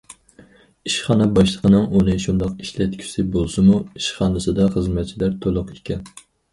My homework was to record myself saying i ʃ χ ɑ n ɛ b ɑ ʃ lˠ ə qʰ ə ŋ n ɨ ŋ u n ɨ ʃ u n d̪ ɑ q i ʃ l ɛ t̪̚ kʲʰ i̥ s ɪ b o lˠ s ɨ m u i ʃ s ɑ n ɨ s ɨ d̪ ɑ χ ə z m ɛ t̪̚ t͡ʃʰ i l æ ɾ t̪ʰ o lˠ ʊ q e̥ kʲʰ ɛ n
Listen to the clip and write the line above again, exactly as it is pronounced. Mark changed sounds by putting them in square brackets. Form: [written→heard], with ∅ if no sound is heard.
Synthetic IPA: i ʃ χ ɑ n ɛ b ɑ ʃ lˠ ə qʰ ə [ŋ→∅] n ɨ ŋ u n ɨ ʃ u n d̪ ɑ q i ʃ l ɛ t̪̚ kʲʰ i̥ s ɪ b o lˠ s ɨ m u i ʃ [s→χ] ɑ n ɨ s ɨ d̪ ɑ χ ə z m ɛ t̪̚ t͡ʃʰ i l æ ɾ t̪ʰ o lˠ ʊ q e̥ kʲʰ ɛ n